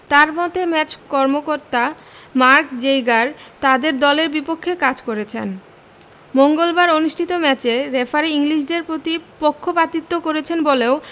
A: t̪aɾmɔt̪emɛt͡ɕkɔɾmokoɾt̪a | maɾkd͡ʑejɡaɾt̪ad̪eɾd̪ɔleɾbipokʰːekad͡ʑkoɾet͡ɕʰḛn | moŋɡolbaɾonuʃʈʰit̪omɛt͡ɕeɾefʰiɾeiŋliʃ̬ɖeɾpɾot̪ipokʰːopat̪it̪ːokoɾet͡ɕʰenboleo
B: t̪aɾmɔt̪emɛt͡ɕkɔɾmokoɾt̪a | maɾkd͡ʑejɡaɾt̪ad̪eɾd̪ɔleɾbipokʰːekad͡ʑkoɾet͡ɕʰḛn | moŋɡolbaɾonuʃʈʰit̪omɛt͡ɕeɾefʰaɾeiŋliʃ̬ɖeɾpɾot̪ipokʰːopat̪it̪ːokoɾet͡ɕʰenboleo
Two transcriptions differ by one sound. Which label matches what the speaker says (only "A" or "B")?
B